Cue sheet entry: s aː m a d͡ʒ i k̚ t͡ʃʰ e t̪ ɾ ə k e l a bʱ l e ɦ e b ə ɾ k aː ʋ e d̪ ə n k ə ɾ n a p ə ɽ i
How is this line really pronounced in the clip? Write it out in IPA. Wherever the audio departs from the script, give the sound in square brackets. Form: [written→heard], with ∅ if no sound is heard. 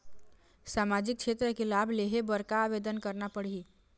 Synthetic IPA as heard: s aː m a d͡ʒ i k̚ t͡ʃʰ e t̪ ɾ ə k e l a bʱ l e ɦ e b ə ɾ k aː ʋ e d̪ ə n k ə ɾ n a p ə ɽ i